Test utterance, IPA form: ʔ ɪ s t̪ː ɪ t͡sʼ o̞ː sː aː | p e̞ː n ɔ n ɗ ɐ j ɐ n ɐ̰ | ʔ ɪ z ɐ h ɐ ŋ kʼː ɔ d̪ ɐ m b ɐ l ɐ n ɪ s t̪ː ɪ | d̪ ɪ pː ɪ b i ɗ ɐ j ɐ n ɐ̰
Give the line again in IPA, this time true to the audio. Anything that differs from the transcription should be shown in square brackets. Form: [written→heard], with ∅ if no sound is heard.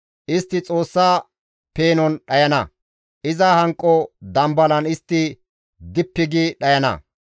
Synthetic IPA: ʔ ɪ s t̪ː ɪ t͡sʼ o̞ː sː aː | p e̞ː n ɔ n ɗ ɐ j ɐ n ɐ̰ | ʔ ɪ z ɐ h ɐ ŋ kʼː ɔ d̪ ɐ m b ɐ l ɐ n ɪ s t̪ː ɪ | d̪ ɪ pː ɪ [b→ɡ] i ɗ ɐ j ɐ n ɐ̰